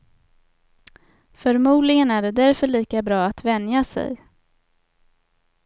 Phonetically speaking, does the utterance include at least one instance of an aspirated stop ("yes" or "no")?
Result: no